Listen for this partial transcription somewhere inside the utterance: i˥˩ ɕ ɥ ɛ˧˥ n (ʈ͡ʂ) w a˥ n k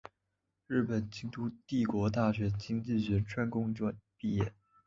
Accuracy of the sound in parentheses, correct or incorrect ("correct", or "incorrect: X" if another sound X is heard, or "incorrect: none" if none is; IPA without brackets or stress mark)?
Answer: incorrect: ʈ͡ʂʰ